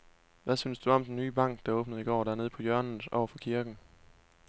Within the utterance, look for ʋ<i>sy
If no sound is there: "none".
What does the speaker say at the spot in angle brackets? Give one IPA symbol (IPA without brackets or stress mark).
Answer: æ